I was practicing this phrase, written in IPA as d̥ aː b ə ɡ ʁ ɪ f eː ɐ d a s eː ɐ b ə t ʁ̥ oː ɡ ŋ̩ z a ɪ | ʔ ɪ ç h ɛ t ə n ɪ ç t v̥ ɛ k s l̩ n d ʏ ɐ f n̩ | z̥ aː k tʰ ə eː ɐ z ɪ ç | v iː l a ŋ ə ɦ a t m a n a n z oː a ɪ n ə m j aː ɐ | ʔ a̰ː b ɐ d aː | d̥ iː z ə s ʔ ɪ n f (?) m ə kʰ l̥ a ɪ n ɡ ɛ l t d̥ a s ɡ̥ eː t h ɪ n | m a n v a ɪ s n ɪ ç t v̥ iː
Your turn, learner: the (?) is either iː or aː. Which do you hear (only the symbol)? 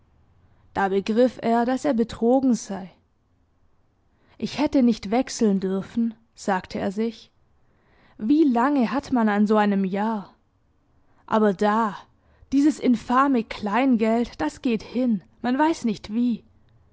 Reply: aː